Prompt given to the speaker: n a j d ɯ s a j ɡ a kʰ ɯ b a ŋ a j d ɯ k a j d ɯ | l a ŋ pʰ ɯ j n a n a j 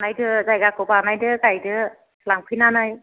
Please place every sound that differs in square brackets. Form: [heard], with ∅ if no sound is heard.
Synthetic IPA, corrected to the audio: n a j d ɯ [z] a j ɡ a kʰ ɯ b a [n] a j d ɯ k a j d ɯ | l a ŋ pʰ ɯ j n a n a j